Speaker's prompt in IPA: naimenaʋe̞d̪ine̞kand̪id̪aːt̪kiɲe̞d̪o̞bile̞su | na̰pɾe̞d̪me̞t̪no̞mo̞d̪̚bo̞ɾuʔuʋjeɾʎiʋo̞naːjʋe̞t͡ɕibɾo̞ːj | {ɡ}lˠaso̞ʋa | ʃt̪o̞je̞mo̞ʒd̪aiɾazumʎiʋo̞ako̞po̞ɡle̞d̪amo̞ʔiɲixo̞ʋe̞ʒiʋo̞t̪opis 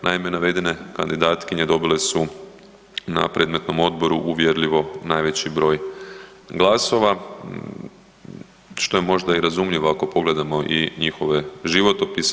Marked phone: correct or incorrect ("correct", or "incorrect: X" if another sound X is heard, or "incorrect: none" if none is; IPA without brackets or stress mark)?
correct